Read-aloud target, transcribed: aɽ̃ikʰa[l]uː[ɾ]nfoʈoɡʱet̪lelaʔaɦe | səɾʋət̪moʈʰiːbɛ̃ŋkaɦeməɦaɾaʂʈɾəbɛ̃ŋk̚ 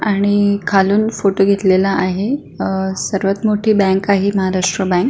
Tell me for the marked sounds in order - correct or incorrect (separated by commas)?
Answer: correct, incorrect